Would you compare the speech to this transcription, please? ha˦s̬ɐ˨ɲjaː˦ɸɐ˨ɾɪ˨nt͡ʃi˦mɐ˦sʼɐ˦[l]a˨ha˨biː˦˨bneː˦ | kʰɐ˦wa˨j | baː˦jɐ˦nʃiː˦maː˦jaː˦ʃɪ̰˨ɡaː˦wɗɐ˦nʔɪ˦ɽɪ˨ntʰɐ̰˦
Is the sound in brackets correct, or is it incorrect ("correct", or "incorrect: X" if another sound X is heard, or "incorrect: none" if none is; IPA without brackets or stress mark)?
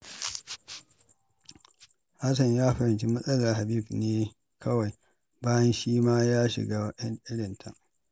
correct